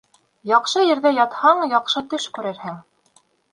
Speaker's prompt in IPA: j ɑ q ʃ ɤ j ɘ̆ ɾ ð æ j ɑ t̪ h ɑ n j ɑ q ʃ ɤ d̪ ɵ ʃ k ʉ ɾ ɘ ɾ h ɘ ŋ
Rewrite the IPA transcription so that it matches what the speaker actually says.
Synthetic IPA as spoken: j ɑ q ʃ ɤ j ɘ̆ ɾ ð æ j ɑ t̪ h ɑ ɴ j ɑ q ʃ ɤ t̪ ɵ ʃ k ʉ ɾ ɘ ɾ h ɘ ŋ